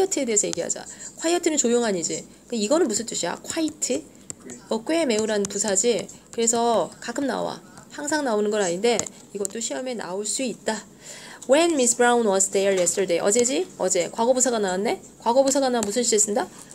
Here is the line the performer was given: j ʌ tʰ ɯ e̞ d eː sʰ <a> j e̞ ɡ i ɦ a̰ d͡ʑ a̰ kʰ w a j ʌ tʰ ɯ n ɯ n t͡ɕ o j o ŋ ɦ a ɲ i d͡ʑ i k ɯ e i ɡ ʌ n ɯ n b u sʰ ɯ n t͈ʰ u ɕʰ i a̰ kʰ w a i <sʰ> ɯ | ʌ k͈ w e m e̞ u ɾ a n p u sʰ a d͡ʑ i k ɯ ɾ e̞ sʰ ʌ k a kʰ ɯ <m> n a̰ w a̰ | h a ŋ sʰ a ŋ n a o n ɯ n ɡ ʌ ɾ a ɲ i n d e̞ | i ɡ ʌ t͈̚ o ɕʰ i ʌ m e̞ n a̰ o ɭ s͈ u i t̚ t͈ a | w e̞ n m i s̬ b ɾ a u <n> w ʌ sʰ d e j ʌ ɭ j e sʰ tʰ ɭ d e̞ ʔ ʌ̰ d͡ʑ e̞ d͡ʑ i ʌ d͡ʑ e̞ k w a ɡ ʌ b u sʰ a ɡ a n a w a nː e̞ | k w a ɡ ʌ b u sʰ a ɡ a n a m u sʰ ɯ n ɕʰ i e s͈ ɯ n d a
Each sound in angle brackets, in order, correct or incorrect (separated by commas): incorrect, incorrect, correct, correct